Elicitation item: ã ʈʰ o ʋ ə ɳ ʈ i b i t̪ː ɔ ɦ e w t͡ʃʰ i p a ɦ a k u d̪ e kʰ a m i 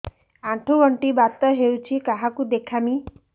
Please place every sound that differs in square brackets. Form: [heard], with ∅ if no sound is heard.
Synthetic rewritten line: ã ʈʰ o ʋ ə ɳ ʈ i b [a] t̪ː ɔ ɦ e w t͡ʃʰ i [k] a ɦ a k u d̪ e kʰ a m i